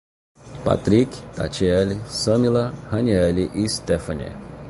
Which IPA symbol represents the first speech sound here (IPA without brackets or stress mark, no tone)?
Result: p